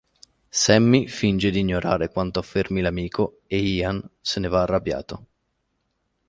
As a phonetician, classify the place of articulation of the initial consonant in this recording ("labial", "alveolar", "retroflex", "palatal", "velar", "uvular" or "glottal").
alveolar